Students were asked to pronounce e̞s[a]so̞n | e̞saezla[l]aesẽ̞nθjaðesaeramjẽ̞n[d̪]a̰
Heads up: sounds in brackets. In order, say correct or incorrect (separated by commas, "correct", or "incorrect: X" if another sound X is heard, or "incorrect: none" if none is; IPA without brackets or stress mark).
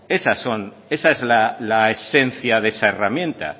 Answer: correct, correct, incorrect: t̪